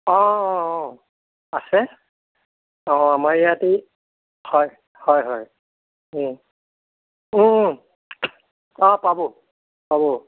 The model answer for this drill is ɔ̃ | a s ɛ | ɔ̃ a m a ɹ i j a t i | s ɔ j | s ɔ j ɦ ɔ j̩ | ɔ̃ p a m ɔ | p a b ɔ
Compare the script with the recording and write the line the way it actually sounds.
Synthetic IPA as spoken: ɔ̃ | a s ɛ | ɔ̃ a m a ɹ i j a t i | h ɔ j | h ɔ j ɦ ɔ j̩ | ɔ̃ p a b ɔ | p a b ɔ